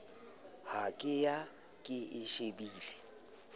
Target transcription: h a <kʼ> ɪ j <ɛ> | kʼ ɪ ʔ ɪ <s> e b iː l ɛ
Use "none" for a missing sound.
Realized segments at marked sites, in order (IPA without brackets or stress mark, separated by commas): kʼ, a, ʃ